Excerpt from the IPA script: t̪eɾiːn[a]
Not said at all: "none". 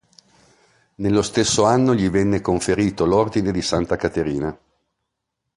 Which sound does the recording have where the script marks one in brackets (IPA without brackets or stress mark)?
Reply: a